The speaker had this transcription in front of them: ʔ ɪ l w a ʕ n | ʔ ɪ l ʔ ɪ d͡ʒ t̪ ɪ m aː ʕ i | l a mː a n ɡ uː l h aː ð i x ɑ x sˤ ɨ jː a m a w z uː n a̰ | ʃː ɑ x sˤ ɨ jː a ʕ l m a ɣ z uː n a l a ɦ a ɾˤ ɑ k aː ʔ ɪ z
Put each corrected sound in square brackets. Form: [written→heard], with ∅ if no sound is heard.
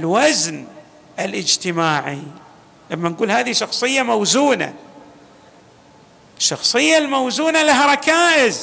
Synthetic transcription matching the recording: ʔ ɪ l w a [ʕ→z] n | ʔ ɪ l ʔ ɪ d͡ʒ t̪ ɪ m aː ʕ i | l a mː a n ɡ uː l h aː ð i [x→ʃ] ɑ x sˤ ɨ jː a m a w z uː n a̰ | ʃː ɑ x sˤ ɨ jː a [ʕ→∅] l m a [ɣ→w] z uː n a l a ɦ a ɾˤ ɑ k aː ʔ ɪ z